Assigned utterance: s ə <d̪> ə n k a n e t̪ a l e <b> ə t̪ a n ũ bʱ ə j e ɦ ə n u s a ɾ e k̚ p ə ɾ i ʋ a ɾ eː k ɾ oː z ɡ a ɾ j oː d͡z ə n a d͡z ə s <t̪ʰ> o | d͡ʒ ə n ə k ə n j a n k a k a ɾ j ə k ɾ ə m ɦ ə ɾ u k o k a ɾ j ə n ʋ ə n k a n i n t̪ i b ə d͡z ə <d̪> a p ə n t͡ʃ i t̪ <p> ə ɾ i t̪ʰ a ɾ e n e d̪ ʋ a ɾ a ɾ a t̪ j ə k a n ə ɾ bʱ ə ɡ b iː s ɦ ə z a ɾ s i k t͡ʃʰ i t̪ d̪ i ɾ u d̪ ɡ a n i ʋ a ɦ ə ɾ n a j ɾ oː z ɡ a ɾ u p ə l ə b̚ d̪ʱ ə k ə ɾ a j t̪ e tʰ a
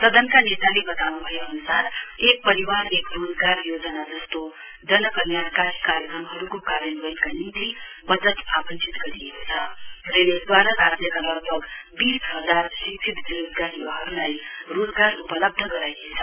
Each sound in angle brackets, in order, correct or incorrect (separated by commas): correct, correct, incorrect, incorrect, incorrect